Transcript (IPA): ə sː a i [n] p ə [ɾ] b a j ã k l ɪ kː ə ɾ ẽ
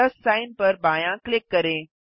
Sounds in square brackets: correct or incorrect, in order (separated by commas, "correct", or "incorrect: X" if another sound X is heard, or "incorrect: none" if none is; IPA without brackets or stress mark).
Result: correct, correct